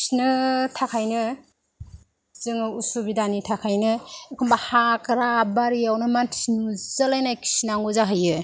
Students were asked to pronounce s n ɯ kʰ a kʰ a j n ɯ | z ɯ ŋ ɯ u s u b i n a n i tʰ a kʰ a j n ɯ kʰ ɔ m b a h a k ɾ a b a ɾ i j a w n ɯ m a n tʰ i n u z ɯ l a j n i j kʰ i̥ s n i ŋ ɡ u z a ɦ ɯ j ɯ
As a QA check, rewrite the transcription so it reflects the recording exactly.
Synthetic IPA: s n ɯ tʰ a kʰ a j n ɯ | z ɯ ŋ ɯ u s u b i d a n i tʰ a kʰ a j n ɯ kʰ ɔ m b a h a k ɾ a b a ɾ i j a w n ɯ m a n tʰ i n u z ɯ l a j n a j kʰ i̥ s n a ŋ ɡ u z a ɦ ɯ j ɯ